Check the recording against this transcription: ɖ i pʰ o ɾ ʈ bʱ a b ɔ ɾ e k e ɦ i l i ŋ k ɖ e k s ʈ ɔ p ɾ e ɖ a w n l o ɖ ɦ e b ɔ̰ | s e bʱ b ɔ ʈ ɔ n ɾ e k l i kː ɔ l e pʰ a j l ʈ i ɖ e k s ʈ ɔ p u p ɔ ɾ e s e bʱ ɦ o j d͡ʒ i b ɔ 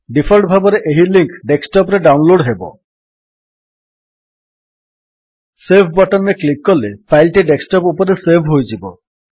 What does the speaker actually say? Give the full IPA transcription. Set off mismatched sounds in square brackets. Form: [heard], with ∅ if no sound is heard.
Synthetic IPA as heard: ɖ i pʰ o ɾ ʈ bʱ a b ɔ ɾ e [ʔ] e ɦ i l i ŋ k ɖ e k s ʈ ɔ p ɾ e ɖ a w n l o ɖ ɦ e b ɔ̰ | s e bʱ b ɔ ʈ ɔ n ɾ e k l i kː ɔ l e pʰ a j l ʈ i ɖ e k s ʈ ɔ p u p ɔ ɾ e s e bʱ ɦ o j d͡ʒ i b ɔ